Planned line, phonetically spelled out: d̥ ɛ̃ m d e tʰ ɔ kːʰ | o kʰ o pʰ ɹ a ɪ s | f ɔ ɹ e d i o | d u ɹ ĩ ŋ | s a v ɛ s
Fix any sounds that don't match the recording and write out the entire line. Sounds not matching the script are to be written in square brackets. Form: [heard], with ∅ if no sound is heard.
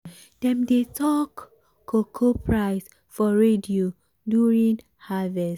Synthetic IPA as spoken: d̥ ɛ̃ m d e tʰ ɔ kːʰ | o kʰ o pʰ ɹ a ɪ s | f ɔ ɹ e d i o | d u ɹ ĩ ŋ | [h] a v ɛ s

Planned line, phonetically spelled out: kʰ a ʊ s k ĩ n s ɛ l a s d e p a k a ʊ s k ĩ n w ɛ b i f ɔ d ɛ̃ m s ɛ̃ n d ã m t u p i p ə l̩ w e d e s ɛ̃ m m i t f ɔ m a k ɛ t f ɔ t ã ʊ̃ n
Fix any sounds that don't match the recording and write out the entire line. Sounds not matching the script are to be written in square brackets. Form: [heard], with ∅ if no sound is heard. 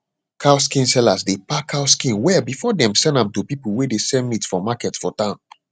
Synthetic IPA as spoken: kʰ a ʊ s k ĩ n s ɛ l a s d e p a k a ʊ s k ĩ n w ɛ b i f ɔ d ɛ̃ m s ɛ̃ n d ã m t u p i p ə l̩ w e d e s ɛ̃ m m i t f ɔ m a k ɛ t f ɔ t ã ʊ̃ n

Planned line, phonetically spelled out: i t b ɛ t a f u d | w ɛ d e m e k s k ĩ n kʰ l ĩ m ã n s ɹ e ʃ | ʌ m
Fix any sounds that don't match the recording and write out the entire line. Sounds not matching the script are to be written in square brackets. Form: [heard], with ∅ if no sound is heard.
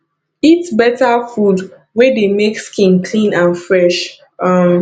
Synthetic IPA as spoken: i t b ɛ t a f u d | w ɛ d e m e k s k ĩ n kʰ l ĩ [n] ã n [f] ɹ [ɛ] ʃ | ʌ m

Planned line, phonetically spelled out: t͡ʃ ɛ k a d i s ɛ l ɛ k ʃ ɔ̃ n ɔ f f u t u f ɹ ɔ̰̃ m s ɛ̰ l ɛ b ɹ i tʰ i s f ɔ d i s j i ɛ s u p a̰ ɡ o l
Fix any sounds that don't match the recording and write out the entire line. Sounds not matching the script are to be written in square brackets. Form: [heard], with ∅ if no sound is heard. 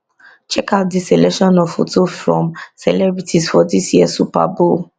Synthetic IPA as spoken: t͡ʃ ɛ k a d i s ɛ l ɛ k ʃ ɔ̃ n ɔ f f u t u f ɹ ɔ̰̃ m s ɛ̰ l ɛ b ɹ i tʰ i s f ɔ d i s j i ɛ s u p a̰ [b] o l

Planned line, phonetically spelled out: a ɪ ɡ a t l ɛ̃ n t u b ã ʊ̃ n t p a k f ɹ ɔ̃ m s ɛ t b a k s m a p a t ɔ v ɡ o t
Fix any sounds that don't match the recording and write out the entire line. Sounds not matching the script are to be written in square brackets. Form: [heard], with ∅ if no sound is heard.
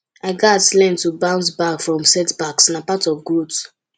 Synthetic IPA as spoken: a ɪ ɡ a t l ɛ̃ n t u b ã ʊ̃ n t [b] a k f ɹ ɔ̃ m s ɛ t b a k s [n] a p a t ɔ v ɡ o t

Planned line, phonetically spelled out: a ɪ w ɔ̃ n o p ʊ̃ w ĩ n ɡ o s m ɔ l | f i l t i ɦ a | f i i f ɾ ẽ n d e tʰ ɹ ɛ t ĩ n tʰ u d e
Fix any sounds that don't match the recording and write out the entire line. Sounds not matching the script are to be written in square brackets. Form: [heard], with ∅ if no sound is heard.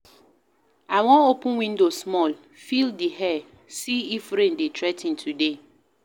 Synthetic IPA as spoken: a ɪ w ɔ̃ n o p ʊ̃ w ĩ n [d] o s m ɔ l | f i l [d] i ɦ [ɛ] | [s] i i f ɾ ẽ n d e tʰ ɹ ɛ t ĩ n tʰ u d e

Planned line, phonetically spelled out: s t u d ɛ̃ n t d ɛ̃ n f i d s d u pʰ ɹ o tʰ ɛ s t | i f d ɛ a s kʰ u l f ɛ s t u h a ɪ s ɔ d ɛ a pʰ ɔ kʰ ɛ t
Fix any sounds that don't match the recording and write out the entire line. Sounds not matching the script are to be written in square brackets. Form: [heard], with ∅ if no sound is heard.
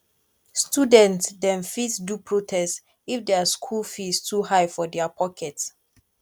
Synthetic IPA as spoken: s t u d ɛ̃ n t d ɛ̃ n f i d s d u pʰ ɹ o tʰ ɛ s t | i f d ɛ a s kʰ u l f [i] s t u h a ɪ [f] ɔ d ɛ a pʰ ɔ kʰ ɛ t

